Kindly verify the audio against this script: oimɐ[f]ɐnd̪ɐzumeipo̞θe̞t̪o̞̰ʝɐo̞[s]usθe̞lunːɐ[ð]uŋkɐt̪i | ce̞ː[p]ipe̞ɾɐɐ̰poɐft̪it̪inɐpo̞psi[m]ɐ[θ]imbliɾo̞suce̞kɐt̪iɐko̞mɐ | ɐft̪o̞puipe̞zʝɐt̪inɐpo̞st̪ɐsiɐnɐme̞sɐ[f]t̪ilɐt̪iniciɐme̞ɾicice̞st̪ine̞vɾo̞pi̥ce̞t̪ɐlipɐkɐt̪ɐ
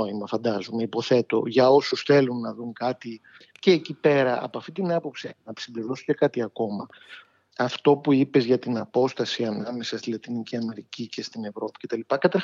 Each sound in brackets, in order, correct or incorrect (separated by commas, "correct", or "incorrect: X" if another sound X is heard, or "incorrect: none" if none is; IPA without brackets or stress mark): correct, correct, correct, incorrect: c, incorrect: n, incorrect: s, incorrect: s